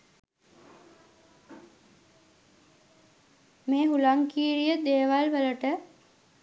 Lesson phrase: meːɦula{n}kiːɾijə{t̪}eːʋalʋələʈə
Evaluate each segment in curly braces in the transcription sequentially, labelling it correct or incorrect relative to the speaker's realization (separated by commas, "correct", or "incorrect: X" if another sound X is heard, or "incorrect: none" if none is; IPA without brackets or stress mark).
incorrect: ŋ, incorrect: d̪